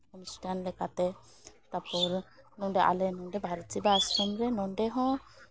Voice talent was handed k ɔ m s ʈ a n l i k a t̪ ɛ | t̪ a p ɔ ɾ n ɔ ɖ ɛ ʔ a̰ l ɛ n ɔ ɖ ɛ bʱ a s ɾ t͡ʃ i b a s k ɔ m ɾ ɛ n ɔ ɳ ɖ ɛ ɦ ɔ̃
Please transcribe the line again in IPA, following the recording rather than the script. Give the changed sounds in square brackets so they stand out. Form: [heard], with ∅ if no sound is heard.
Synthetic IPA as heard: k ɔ m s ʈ a n l [ɛ] k a t̪ ɛ | t̪ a p ɔ ɾ n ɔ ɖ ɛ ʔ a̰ l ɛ n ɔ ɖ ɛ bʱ a [∅] ɾ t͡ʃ i b a s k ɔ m ɾ ɛ n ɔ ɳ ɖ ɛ ɦ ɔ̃